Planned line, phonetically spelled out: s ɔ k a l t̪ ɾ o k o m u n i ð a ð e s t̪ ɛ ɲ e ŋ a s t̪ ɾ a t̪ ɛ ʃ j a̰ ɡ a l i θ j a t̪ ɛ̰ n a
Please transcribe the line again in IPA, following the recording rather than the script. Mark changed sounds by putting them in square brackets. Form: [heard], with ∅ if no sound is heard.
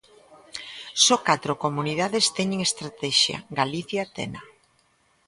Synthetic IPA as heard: s ɔ k a [∅] t̪ ɾ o k o m u n i ð a ð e s t̪ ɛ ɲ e ŋ [e] s t̪ ɾ a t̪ ɛ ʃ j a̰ ɡ a l i θ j a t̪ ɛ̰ n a